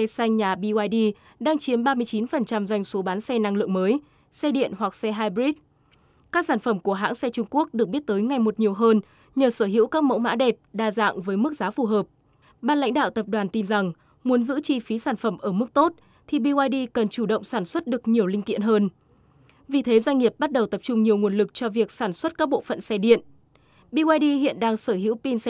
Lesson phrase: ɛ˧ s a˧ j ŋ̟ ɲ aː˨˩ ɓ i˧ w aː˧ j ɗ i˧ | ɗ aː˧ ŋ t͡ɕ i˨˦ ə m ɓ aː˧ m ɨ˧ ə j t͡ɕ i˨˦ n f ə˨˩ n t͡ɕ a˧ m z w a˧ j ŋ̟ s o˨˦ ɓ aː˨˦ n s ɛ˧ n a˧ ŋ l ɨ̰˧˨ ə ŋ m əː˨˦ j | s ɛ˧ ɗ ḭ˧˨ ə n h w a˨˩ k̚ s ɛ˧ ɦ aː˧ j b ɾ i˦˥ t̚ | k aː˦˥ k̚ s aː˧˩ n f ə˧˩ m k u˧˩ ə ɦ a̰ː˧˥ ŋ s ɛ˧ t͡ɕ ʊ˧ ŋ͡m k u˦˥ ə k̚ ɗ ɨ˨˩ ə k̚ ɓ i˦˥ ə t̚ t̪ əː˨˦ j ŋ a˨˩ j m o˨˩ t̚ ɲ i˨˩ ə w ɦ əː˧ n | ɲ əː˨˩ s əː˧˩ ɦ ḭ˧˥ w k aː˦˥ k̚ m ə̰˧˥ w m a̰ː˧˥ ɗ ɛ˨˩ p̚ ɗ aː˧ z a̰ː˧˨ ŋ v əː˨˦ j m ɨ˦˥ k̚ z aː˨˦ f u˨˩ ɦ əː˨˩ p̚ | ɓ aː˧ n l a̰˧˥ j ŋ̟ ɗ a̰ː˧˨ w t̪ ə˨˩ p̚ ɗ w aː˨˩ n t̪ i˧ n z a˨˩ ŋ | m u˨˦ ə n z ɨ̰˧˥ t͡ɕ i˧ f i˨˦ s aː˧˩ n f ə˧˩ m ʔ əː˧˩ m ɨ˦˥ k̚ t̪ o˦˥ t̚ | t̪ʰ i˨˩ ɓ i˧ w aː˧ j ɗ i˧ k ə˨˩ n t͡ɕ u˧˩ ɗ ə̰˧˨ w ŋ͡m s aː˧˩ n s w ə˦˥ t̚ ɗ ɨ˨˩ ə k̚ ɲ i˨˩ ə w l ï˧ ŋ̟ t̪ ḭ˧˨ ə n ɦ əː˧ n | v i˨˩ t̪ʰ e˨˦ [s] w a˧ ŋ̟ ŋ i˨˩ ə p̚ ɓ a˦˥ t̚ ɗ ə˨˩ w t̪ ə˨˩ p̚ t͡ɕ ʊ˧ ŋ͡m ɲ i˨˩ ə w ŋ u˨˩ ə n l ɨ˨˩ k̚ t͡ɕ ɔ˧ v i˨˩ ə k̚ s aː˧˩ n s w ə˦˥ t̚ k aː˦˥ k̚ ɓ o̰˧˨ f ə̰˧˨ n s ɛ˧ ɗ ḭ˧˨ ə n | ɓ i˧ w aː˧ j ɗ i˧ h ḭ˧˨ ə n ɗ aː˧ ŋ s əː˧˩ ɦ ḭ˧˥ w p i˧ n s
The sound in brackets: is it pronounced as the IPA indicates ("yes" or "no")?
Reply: no